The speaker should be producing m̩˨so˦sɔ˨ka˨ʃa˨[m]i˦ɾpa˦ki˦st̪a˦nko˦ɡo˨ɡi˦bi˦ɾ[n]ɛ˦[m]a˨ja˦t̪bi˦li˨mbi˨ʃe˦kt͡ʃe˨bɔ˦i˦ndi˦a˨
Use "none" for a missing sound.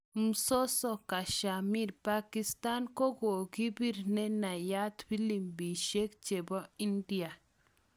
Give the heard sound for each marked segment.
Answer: m, n, n

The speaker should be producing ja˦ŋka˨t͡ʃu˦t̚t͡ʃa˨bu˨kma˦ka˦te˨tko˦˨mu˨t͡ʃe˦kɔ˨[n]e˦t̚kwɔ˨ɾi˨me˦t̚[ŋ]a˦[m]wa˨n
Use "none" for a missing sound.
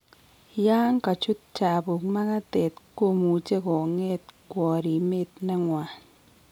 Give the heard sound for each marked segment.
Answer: ŋ, n, ŋ

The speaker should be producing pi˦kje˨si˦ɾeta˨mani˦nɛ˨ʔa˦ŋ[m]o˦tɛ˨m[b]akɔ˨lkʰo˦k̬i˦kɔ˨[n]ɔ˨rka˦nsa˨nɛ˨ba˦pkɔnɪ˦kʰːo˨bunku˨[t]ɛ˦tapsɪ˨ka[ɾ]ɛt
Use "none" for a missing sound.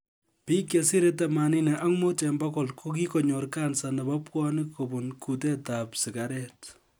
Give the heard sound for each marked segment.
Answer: m, b, ɲ, t, ɾ

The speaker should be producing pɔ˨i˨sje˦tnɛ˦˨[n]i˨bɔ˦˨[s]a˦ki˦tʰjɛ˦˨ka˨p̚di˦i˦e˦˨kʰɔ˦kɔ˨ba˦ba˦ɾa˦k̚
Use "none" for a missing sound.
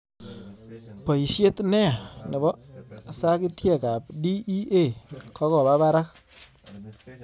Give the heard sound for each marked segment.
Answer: n, s

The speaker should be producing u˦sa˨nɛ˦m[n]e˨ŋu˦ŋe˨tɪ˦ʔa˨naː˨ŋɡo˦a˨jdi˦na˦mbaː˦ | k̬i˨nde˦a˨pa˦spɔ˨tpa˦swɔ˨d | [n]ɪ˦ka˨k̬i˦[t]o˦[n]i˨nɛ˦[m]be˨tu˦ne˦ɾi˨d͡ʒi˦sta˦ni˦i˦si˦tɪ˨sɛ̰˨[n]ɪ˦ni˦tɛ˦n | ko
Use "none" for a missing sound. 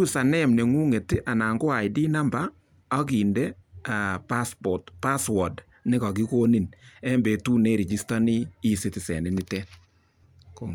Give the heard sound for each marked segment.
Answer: n, n, k, n, m, n

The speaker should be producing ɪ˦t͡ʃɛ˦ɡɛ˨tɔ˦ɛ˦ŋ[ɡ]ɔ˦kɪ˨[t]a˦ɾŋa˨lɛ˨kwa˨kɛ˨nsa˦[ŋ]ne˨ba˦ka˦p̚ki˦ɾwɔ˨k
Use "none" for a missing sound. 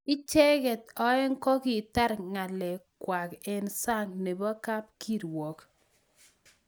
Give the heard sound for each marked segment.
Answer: k, t, ŋ

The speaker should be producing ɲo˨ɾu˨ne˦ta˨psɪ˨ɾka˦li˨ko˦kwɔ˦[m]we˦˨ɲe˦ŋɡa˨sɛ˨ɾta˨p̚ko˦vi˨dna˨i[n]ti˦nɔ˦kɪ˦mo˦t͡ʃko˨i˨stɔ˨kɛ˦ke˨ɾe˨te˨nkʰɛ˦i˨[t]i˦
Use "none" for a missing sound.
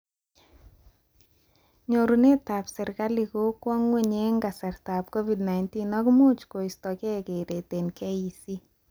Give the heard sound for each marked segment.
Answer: ŋ, n, s

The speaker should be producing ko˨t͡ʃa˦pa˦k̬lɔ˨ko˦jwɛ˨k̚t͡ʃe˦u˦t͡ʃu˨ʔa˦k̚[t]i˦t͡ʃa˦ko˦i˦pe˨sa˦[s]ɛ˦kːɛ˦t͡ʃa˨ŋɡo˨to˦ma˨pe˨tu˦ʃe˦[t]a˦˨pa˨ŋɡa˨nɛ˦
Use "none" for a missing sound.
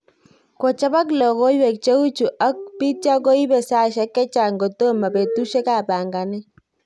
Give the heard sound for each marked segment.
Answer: p, ʃ, k

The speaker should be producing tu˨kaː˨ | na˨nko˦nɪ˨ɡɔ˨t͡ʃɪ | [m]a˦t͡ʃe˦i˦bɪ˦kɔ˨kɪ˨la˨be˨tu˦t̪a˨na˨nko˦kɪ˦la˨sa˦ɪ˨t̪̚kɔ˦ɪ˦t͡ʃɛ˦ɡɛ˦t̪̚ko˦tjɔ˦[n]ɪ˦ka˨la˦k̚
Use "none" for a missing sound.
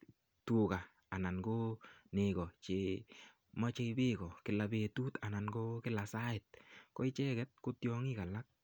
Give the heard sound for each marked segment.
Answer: m, ŋ

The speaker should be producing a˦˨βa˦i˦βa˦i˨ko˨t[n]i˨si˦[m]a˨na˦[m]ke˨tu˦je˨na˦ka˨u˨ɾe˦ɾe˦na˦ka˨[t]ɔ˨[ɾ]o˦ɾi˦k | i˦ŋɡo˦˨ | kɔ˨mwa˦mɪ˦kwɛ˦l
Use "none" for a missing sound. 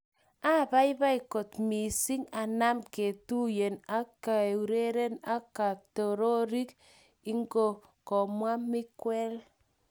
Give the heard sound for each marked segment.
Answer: m, ŋ, m, t, ɾ

